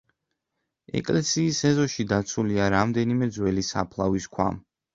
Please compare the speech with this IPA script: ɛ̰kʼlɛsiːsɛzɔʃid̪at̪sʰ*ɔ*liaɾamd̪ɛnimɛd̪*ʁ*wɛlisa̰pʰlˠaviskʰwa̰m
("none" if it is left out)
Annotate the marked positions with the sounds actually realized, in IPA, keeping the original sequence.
u, z

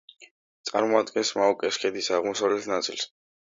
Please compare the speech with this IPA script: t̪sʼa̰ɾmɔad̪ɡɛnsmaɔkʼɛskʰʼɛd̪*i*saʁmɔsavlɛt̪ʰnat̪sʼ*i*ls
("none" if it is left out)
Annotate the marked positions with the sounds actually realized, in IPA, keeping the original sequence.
i, i

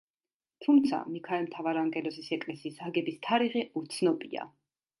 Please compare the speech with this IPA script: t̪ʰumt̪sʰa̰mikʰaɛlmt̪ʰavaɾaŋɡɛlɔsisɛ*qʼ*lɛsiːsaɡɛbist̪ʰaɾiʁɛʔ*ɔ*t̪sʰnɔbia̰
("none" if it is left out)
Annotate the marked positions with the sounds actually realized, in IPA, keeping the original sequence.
kʼ, u

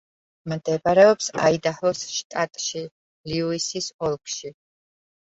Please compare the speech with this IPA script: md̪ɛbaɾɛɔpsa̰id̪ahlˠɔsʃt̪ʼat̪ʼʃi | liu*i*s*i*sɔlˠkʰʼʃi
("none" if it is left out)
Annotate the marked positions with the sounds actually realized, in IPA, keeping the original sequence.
i, i

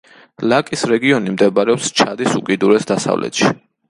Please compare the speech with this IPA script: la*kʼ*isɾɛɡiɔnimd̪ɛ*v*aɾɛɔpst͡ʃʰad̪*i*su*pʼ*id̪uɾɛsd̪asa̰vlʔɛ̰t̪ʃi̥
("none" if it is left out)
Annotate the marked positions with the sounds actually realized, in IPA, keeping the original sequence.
kʼ, b, i, kʼ

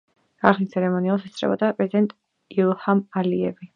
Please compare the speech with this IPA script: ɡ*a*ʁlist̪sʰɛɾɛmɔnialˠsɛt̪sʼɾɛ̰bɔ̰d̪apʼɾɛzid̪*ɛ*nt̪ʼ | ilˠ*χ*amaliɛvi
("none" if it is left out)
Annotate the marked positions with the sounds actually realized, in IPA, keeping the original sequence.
a, ɛ, h

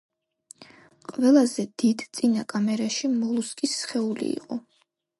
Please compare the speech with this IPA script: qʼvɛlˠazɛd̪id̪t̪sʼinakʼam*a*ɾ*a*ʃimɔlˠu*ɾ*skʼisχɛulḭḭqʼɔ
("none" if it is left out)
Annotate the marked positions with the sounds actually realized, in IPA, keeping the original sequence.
ɛ, a, none

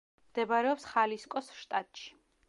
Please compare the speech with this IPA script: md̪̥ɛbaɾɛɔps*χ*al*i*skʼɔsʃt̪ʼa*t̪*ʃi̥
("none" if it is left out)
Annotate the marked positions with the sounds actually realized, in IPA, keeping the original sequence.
χ, i, t̪ʼ

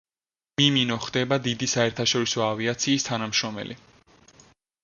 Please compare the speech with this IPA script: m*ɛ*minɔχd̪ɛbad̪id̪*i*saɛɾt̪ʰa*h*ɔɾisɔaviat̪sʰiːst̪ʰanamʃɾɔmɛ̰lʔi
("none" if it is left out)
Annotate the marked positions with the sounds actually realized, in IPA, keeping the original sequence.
i, i, ʃ

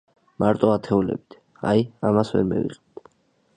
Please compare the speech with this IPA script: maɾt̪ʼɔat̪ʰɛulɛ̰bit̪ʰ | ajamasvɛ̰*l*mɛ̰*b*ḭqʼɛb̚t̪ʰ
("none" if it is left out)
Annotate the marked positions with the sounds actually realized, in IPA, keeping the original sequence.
ɾ, v

